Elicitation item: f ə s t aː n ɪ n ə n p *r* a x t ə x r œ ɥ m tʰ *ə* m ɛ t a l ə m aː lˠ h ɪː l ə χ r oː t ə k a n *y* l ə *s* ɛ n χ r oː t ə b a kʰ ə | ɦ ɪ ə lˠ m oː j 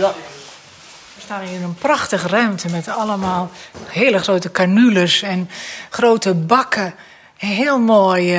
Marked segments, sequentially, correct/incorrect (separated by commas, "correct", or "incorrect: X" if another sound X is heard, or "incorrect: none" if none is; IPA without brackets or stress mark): correct, correct, correct, correct